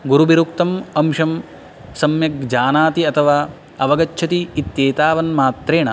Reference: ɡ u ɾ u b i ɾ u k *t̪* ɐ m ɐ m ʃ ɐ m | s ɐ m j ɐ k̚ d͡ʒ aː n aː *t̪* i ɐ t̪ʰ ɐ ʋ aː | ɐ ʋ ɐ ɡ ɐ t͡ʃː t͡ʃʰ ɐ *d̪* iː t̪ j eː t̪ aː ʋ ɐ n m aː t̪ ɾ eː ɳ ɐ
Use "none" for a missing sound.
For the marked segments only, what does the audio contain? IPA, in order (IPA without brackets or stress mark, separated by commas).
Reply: t̪, t̪, t̪